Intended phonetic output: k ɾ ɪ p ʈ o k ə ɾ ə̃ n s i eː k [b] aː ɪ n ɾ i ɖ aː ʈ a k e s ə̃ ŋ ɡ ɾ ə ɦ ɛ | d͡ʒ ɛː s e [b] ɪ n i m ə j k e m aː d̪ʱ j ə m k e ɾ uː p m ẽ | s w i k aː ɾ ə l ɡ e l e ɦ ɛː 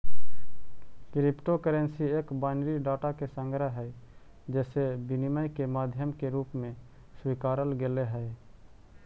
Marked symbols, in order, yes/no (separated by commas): yes, yes